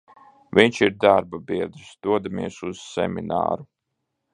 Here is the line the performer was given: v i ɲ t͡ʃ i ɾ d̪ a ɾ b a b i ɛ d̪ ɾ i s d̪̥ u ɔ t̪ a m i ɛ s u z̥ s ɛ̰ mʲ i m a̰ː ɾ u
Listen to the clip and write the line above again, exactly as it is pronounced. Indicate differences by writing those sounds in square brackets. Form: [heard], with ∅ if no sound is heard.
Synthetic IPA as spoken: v i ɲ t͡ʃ i ɾ d̪ a ɾ b a b i ɛ d̪ ɾ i s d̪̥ u ɔ [d̪] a m i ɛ s u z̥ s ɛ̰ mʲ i [n] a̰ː ɾ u